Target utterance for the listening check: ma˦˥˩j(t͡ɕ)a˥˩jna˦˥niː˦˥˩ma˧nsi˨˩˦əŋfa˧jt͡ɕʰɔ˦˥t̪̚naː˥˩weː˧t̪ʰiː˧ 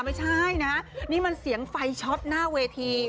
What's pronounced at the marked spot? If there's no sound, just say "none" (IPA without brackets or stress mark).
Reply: t͡ɕʰ